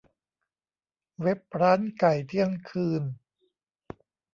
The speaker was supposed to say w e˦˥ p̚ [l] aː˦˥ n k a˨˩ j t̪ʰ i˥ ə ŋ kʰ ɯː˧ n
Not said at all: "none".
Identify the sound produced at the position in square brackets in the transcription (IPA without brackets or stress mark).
ɾ